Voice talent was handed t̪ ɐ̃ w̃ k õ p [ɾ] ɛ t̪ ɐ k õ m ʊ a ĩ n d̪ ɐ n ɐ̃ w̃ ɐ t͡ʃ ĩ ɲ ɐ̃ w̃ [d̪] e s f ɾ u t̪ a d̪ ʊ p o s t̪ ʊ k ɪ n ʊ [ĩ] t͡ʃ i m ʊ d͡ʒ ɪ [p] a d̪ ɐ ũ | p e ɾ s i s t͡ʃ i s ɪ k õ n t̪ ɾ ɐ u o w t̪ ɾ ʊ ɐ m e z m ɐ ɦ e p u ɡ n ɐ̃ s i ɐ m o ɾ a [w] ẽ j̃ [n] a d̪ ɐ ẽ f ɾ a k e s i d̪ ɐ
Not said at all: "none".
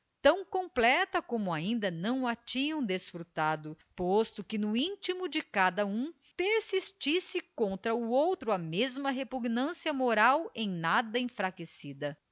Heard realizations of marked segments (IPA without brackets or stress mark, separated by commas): l, d̪, ĩ, k, w, n